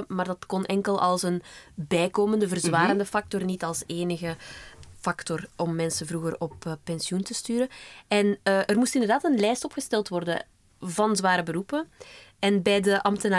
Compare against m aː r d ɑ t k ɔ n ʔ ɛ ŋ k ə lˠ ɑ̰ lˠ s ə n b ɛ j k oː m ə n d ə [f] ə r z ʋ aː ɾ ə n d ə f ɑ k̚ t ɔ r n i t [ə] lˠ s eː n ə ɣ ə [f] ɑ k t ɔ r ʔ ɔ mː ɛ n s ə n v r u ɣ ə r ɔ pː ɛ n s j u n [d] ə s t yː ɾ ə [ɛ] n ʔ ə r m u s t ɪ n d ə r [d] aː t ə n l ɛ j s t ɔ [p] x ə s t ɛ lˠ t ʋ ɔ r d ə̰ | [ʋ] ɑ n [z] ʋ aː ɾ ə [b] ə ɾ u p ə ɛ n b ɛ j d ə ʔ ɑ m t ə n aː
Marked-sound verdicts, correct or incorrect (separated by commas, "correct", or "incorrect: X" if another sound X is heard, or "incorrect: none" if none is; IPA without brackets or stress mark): incorrect: v, incorrect: ɑ, correct, incorrect: t, correct, correct, correct, incorrect: v, correct, correct